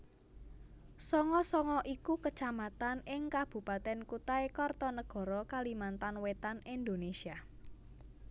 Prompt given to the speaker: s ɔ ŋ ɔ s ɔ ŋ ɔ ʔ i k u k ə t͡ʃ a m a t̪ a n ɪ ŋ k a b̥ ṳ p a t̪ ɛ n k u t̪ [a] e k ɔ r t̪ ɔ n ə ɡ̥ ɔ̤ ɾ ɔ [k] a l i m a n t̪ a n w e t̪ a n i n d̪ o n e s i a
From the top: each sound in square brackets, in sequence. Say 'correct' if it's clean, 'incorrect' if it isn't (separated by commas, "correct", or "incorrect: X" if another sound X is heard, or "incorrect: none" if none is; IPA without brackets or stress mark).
correct, correct